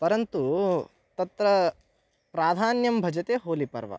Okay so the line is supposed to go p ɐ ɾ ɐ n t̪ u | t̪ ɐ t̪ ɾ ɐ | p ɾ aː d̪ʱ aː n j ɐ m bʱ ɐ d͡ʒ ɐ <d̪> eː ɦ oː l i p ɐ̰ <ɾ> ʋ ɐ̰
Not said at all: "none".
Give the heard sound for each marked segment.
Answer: t̪, ɾ

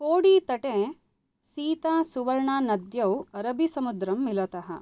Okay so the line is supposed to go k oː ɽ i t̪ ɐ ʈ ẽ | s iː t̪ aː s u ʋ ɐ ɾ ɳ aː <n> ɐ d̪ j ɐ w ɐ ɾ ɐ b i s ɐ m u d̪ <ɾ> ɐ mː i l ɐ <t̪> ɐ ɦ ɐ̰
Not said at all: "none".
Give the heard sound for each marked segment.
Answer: n, ɾ, t̪

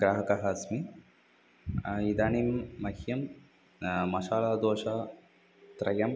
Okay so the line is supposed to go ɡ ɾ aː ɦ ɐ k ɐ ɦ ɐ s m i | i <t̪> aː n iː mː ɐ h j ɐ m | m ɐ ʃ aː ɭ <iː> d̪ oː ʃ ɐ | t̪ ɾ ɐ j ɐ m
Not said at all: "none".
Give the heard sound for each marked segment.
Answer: d̪, aː

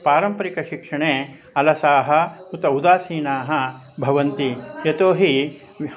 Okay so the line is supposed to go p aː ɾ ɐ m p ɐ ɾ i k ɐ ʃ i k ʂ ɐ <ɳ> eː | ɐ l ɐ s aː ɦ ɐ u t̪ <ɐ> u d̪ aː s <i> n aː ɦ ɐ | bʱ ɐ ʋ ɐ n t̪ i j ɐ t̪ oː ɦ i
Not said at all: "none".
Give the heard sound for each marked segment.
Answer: ɳ, ɐ, iː

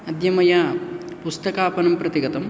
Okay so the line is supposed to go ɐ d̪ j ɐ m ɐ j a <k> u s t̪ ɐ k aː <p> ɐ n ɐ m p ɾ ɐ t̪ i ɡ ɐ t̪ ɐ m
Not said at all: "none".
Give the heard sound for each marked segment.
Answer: p, p

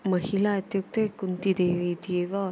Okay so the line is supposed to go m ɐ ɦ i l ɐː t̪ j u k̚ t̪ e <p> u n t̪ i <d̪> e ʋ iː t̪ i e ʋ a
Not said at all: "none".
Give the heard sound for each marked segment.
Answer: k, d̪

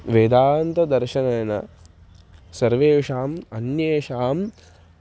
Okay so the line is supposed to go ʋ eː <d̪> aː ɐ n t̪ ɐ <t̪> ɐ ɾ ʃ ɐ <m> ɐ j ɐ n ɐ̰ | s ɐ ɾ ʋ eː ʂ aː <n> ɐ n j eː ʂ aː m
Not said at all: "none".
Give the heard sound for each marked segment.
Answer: d̪, d̪, n, m

